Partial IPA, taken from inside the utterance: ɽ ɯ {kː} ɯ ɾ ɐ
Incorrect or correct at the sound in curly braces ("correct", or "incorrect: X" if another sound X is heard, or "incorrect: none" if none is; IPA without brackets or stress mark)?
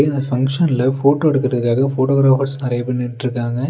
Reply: correct